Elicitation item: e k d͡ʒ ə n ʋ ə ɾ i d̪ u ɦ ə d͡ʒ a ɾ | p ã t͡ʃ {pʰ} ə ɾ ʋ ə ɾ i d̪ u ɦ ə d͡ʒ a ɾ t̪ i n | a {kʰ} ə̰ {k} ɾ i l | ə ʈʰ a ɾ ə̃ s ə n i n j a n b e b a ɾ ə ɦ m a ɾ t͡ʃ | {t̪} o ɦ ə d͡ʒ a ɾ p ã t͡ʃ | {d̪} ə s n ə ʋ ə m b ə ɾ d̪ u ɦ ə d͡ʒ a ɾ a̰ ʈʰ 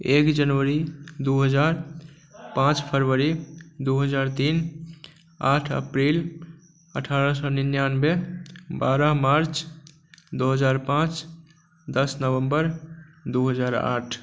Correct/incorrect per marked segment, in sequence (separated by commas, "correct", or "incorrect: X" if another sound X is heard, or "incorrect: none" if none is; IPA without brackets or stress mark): correct, incorrect: ʈʰ, incorrect: p, incorrect: d̪, correct